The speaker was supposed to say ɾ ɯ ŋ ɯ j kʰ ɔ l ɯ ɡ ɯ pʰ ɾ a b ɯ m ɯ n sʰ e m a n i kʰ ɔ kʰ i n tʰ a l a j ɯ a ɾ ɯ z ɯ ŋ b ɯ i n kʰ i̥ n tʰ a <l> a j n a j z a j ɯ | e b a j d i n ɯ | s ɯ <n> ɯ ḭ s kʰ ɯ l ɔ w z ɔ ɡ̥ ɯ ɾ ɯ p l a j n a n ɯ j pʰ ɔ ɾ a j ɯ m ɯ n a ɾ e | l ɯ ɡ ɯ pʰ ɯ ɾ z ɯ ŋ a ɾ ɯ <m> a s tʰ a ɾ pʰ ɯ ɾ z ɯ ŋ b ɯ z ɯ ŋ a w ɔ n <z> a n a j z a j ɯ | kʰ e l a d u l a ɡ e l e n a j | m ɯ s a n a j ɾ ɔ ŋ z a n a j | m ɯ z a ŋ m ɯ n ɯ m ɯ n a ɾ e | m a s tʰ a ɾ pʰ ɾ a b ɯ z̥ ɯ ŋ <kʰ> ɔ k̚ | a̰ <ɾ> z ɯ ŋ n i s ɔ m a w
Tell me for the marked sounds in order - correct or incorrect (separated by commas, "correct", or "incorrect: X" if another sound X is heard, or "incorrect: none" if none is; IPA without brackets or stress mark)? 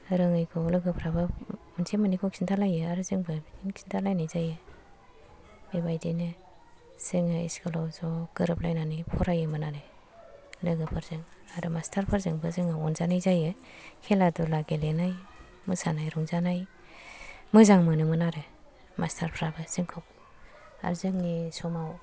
correct, incorrect: ŋ, correct, correct, correct, correct